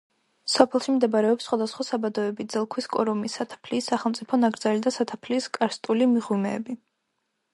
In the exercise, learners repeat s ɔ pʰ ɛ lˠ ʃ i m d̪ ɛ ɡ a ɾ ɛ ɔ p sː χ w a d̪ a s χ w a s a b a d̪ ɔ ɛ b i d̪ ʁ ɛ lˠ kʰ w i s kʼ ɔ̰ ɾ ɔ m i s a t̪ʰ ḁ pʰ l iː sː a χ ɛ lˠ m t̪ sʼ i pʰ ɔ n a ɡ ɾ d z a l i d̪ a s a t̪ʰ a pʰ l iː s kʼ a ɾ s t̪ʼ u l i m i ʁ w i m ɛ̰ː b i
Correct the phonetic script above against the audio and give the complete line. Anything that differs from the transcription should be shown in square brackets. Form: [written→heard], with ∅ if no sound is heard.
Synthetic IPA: s ɔ pʰ ɛ lˠ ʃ i m d̪ ɛ [ɡ→b] a ɾ ɛ ɔ p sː χ w a d̪ a s χ w a s a b a d̪ ɔ ɛ b i d̪ [ʁ→z] ɛ lˠ kʰ w i s kʼ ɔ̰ ɾ ɔ m i s a t̪ʰ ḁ pʰ l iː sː a χ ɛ lˠ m t̪ sʼ i pʰ ɔ n a ɡ ɾ d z a l i d̪ a s a t̪ʰ a pʰ l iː s kʼ a ɾ s t̪ʼ u l i m i ʁ w i m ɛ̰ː b i

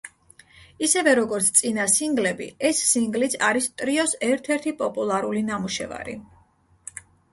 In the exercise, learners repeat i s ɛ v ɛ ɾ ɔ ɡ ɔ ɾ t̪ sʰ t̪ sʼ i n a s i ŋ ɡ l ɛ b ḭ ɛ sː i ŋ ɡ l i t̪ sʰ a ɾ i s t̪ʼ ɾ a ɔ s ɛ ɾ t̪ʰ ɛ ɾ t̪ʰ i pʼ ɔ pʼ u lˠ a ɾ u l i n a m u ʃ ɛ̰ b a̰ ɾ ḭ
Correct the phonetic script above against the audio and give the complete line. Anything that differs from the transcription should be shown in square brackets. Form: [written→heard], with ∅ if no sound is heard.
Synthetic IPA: i s ɛ v ɛ ɾ ɔ ɡ ɔ ɾ t̪ sʰ t̪ sʼ i n a s i ŋ ɡ l ɛ b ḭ ɛ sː i ŋ ɡ l i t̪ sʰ a ɾ i s t̪ʼ ɾ [a→i] ɔ s ɛ ɾ t̪ʰ ɛ ɾ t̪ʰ i pʼ ɔ pʼ u lˠ a ɾ u l i n a m u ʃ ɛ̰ [b→v] a̰ ɾ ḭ

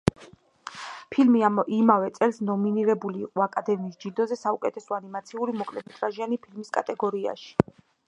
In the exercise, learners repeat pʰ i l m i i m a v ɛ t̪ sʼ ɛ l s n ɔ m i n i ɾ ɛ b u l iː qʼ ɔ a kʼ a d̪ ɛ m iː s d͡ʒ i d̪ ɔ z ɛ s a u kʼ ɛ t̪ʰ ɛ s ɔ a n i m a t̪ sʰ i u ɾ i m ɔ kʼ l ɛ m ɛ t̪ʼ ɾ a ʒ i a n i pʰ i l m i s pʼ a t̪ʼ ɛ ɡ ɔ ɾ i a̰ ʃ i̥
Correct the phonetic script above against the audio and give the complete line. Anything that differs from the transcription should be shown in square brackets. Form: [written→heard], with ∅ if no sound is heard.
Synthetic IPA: pʰ i l m i i m a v ɛ t̪ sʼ ɛ l s n ɔ m i n i ɾ ɛ b u l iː qʼ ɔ a kʼ a d̪ ɛ m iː s d͡ʒ i d̪ ɔ z ɛ s a u kʼ ɛ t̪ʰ ɛ s ɔ a n i m a t̪ sʰ i u ɾ i m ɔ kʼ l ɛ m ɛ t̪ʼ ɾ a ʒ i a n i pʰ i l m i s [pʼ→kʼ] a t̪ʼ ɛ ɡ ɔ ɾ i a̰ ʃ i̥

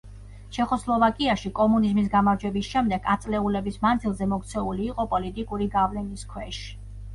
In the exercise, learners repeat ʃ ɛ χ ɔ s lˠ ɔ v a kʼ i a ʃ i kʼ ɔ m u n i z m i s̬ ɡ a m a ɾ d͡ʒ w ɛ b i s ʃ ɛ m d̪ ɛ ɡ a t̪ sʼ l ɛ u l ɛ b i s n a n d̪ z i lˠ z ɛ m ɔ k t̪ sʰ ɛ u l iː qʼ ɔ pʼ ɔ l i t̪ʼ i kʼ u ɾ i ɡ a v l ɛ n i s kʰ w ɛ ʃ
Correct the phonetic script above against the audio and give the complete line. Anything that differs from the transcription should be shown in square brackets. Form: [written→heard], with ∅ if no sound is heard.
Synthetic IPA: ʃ ɛ χ ɔ s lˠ ɔ v a kʼ i a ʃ i kʼ ɔ m u n i z m i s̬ ɡ a m a ɾ d͡ʒ w ɛ b i s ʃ ɛ m d̪ ɛ ɡ a t̪ sʼ l ɛ u l ɛ b i s [n→m] a n d̪ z i lˠ z ɛ m ɔ k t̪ sʰ ɛ u l iː qʼ ɔ pʼ ɔ l i t̪ʼ i kʼ u ɾ i ɡ a v l ɛ n i s kʰ w ɛ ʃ

